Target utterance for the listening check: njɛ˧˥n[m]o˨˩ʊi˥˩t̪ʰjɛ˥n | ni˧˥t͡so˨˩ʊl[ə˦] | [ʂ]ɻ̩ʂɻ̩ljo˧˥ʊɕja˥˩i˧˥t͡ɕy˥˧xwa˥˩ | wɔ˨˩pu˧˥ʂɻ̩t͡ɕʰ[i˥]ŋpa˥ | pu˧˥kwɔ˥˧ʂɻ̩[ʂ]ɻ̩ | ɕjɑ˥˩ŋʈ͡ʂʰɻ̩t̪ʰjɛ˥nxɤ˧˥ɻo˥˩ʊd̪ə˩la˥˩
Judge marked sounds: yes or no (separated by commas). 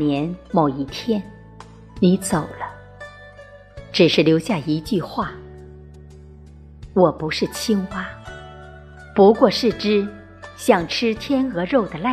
yes, yes, no, yes, no